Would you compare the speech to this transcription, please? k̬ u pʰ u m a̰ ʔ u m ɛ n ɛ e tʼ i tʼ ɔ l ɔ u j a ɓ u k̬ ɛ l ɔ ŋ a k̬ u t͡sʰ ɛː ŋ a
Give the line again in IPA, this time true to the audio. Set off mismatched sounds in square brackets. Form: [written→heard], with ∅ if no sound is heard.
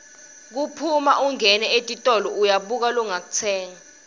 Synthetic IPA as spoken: k̬ u pʰ u m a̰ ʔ u [m→ŋ] ɛ n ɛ e tʼ i tʼ ɔ l ɔ u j a ɓ u k̬ [ɛ→a] l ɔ ŋ a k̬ u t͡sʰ ɛː ŋ a